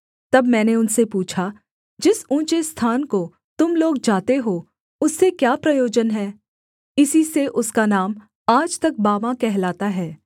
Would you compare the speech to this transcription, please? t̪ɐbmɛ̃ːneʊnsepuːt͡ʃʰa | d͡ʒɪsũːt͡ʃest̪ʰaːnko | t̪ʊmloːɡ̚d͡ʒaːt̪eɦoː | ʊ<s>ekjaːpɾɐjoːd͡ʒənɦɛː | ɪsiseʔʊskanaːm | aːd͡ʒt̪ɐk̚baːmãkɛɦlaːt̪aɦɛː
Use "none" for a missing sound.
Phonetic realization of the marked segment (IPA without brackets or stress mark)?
sː